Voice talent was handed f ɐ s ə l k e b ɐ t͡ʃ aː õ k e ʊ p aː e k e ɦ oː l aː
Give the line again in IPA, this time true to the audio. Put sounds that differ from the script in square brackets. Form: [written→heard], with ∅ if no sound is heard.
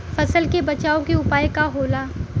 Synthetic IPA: f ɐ s ə l k e b ɐ t͡ʃ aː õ k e ʊ p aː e k [e→a] ɦ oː l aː